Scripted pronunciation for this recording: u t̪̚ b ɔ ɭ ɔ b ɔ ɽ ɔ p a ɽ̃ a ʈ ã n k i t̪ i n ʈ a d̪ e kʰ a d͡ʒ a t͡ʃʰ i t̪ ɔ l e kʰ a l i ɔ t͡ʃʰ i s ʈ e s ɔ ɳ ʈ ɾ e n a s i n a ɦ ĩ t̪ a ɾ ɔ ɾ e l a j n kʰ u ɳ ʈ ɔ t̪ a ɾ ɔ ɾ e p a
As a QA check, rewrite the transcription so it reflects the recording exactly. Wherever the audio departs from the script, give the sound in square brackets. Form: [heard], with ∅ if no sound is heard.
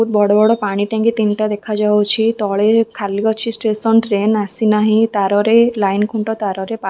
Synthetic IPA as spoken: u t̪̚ b ɔ [ɽ] ɔ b ɔ ɽ ɔ p a ɽ̃ [i] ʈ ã [ŋ] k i t̪ i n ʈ a d̪ e kʰ a d͡ʒ a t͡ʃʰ i t̪ ɔ [ɭ] e kʰ a l i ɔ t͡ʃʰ i s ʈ e s ɔ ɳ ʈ ɾ e n a s i n a ɦ ĩ t̪ a ɾ ɔ ɾ e l a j n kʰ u ɳ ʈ ɔ t̪ a ɾ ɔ ɾ e p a